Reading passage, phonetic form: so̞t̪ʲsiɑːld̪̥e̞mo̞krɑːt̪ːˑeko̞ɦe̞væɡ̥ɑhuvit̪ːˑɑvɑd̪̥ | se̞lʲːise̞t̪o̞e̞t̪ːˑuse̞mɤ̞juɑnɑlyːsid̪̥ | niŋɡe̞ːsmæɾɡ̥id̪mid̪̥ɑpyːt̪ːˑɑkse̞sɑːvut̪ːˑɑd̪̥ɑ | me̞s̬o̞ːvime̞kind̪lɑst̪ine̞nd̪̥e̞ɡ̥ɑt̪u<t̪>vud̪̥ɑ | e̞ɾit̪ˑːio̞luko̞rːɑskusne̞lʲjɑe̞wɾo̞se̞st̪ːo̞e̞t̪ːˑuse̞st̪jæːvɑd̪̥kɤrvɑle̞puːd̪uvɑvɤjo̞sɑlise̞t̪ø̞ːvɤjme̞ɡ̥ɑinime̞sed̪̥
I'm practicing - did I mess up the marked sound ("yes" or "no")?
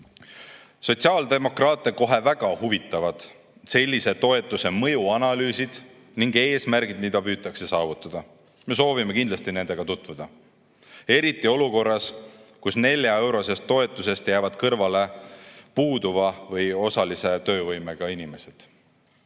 no